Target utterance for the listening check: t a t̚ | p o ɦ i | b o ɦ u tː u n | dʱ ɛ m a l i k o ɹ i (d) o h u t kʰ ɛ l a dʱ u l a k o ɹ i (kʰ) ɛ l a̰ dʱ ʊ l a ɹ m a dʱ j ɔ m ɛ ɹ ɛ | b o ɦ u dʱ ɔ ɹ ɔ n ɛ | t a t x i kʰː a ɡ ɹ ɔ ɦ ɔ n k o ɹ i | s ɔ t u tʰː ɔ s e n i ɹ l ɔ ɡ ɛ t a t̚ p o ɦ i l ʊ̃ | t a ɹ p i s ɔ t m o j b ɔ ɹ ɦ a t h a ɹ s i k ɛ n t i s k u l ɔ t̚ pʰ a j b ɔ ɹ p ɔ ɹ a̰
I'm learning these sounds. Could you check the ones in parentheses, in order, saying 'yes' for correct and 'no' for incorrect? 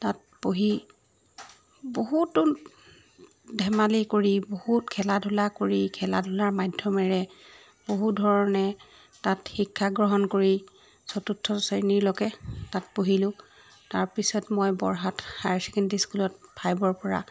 no, yes

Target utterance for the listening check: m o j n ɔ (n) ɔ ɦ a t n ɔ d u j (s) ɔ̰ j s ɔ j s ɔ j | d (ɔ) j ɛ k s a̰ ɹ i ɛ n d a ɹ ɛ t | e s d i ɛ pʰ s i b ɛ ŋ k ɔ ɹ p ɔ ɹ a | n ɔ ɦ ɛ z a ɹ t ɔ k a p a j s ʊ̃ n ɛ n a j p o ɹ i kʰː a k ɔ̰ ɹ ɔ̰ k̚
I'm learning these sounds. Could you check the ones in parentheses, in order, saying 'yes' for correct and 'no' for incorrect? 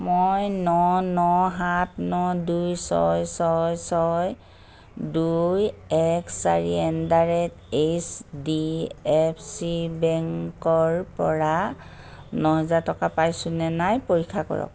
yes, yes, no

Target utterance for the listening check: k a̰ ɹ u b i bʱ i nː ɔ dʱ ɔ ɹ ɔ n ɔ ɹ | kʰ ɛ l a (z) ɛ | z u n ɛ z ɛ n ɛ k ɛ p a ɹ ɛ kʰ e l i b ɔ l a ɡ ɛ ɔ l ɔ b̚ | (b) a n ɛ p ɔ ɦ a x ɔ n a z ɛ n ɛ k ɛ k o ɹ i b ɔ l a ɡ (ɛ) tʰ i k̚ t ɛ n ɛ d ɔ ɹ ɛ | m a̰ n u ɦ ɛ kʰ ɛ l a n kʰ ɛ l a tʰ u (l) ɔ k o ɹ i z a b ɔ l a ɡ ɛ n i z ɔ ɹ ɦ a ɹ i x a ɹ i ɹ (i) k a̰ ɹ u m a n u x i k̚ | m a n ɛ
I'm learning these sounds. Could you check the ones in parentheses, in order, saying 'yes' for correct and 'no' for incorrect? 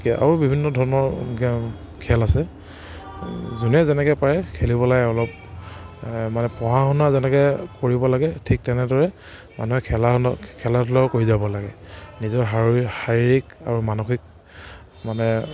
no, no, yes, yes, yes

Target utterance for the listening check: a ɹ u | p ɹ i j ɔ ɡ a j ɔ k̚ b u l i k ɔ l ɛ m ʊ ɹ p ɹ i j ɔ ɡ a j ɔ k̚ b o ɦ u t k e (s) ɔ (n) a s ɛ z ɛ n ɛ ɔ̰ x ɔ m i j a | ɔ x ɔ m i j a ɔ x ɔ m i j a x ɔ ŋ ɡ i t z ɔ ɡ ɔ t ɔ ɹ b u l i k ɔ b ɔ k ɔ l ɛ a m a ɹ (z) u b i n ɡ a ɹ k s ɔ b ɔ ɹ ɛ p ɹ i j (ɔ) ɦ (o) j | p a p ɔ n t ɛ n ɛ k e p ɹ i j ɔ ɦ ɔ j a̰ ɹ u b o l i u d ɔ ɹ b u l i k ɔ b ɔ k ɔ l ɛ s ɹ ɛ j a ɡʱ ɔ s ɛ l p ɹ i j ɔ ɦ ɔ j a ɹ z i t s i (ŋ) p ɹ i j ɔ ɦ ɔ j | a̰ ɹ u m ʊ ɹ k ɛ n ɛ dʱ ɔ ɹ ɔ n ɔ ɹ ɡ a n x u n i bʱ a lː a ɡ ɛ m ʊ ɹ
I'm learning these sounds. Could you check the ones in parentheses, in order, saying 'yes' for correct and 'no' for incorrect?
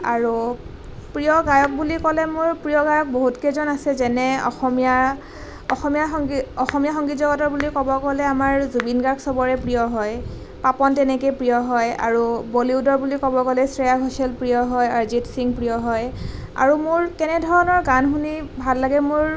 no, yes, yes, yes, no, yes

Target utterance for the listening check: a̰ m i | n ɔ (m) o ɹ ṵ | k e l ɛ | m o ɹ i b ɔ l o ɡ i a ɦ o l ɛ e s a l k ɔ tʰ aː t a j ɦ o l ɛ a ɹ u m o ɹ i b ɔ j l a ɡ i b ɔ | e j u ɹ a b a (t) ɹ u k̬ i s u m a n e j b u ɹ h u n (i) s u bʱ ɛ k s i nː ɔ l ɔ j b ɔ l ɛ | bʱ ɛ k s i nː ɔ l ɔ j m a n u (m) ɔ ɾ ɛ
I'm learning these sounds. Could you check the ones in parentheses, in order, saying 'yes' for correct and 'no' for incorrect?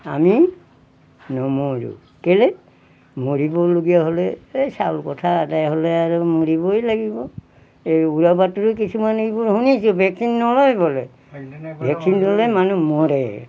yes, yes, yes, yes

